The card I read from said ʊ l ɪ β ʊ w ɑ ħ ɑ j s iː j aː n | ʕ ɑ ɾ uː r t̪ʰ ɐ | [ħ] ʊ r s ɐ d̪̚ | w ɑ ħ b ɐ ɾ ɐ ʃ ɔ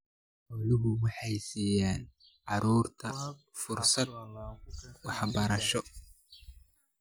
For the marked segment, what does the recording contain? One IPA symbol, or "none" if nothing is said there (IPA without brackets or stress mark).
f